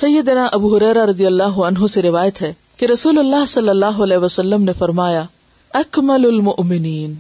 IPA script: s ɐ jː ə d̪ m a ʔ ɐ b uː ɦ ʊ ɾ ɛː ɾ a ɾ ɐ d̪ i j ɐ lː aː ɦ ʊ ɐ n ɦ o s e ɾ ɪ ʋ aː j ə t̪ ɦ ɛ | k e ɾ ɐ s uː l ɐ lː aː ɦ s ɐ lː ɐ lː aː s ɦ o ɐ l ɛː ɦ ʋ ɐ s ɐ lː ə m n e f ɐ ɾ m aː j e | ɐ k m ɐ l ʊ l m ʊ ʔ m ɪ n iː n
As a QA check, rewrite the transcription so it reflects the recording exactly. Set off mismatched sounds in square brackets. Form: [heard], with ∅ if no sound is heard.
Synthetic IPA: s ɐ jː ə d̪ [n] a ʔ ɐ b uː ɦ ʊ ɾ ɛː ɾ a ɾ ɐ d̪ i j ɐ lː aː ɦ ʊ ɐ n ɦ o s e ɾ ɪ ʋ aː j ə t̪ ɦ ɛ | k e ɾ ɐ s uː l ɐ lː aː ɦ s ɐ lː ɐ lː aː [∅] ɦ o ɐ l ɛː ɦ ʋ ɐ s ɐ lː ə m n e f ɐ ɾ m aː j [a] | ɐ k m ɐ l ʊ l m ʊ ʔ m ɪ n iː n